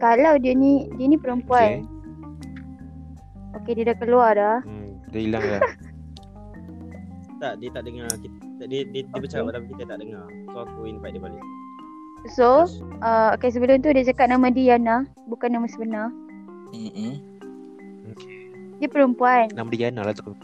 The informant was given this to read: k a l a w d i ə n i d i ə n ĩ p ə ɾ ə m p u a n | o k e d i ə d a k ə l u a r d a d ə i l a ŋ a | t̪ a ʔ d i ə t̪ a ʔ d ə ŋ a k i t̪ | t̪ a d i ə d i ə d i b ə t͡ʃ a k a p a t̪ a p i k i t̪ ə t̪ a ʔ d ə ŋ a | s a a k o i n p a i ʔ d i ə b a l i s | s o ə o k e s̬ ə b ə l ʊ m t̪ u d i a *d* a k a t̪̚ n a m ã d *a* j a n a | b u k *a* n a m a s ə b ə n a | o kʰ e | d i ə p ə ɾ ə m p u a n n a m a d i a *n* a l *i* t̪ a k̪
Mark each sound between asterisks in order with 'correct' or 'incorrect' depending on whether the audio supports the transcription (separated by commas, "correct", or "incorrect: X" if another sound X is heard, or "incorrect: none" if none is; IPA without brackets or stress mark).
incorrect: d͡ʒ, incorrect: i, correct, correct, incorrect: a